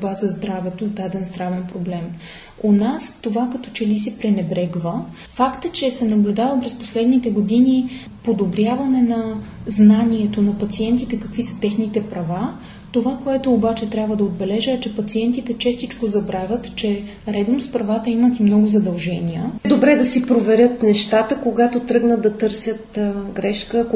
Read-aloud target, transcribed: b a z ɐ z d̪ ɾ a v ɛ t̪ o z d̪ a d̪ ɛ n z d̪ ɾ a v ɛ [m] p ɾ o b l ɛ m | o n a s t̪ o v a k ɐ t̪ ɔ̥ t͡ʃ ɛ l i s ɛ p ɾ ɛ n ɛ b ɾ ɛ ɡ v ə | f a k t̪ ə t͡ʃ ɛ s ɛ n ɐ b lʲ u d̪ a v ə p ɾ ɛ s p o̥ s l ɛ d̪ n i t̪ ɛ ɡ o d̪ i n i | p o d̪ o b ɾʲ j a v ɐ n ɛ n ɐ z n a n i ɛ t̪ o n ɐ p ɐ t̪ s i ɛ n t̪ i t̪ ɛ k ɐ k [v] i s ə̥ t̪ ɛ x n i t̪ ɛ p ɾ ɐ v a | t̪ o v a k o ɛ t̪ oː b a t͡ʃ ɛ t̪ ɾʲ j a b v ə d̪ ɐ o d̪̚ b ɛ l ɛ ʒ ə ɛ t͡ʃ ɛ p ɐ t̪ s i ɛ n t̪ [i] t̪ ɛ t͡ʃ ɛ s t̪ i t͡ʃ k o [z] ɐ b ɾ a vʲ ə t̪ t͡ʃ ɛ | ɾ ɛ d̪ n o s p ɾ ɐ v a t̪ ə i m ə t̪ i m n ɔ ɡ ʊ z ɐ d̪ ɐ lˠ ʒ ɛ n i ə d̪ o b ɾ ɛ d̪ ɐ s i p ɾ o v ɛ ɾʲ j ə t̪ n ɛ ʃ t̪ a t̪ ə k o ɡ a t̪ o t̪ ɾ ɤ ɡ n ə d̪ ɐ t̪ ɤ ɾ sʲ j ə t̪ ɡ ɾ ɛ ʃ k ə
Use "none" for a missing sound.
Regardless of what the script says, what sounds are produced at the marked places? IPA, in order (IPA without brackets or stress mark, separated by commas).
n, v, i, z